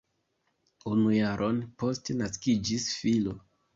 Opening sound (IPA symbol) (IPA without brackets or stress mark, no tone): u